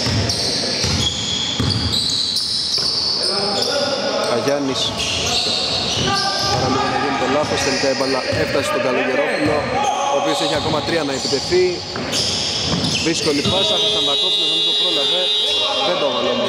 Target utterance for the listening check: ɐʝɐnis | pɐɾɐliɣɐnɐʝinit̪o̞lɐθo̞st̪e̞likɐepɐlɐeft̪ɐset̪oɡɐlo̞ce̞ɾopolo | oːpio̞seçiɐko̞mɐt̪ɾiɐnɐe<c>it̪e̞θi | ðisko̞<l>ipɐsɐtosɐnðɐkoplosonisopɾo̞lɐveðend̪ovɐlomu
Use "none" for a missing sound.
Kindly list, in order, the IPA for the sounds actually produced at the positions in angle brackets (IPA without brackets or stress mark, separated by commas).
p, l